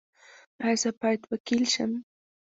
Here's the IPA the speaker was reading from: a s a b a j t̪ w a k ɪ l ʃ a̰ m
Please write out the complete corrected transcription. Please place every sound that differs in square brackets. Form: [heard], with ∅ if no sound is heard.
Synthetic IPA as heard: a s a [p] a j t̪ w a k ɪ l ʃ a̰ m